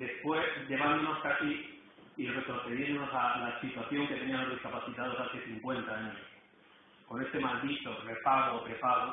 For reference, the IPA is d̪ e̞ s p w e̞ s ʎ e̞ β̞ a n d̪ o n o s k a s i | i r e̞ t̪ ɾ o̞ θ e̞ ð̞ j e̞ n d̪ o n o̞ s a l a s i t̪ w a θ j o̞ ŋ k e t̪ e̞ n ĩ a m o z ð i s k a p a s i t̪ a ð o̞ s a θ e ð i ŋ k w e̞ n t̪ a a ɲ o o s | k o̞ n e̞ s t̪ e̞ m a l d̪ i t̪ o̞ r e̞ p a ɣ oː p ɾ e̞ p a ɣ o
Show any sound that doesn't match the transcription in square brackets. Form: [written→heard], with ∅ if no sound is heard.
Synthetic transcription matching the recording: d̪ e̞ s p w e̞ s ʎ e̞ β̞ a n d̪ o n o s k a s i | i r e̞ t̪ ɾ o̞ θ e̞ ð̞ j e̞ n d̪ o n o̞ s a l a s i t̪ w a θ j o̞ ŋ k e t̪ e̞ n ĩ a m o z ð i s k a p a [s→θ] i t̪ a ð o̞ s a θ e [ð→θ] i ŋ k w e̞ n t̪ a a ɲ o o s | k o̞ n e̞ s t̪ e̞ m a l d̪ i t̪ o̞ r e̞ p a ɣ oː p ɾ e̞ p a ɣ o